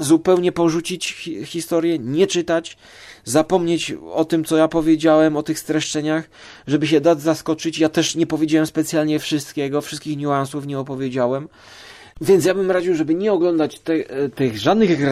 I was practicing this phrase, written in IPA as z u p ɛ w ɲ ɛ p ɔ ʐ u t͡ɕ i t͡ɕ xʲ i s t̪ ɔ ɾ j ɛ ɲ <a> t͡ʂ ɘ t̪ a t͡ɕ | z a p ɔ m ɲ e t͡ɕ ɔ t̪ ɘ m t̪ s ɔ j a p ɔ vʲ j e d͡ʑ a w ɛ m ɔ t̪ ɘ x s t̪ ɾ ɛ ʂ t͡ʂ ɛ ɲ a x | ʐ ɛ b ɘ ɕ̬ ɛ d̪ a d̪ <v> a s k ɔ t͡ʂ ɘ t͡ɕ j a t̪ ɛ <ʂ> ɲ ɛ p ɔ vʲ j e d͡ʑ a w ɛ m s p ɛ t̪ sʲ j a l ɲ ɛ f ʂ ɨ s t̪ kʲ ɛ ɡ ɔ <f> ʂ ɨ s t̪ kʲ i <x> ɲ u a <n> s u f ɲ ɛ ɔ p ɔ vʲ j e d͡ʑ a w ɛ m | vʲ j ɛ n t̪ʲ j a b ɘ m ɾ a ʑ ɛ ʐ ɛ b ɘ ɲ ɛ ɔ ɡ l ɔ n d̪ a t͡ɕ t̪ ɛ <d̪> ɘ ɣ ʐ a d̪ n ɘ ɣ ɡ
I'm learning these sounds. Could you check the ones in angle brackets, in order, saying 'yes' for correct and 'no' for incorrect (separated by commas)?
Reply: no, no, yes, yes, yes, yes, no